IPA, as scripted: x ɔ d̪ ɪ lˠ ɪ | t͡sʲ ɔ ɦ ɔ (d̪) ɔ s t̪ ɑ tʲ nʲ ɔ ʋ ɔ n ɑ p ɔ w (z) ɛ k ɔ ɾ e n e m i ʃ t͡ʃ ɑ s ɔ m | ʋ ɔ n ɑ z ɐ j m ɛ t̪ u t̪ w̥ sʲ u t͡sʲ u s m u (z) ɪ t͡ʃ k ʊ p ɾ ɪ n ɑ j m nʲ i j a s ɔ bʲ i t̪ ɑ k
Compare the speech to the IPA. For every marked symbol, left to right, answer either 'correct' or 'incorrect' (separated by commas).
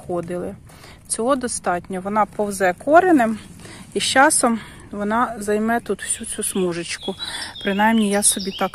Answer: correct, correct, incorrect